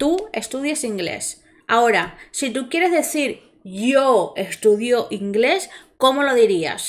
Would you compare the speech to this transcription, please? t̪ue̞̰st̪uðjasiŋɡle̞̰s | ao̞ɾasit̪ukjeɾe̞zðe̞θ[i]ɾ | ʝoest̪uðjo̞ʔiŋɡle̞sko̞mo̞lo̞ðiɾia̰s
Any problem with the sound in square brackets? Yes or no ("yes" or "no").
no